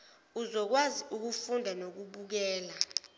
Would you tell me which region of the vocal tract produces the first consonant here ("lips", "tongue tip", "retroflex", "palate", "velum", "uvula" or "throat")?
tongue tip